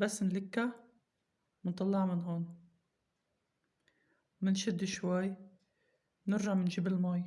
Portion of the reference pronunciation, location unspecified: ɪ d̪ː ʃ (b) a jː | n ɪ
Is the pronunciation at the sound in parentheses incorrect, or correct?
incorrect